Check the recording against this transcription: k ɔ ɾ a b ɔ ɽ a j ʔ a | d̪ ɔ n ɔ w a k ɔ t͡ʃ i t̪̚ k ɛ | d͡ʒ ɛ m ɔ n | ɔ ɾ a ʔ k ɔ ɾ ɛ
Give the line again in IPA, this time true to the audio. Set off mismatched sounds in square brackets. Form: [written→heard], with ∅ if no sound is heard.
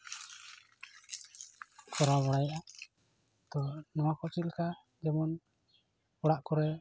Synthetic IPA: k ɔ ɾ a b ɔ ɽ a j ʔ a | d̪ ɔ n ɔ w a k ɔ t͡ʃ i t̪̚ k [ɛ→a] | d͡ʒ ɛ m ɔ n | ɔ [ɾ→ɽ] a ʔ k ɔ ɾ ɛ